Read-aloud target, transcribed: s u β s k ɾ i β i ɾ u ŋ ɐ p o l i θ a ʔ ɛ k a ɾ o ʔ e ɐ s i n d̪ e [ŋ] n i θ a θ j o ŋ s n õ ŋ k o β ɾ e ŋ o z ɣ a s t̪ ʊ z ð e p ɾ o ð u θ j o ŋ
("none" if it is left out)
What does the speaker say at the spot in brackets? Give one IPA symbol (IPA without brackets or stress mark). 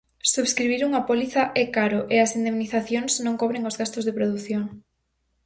m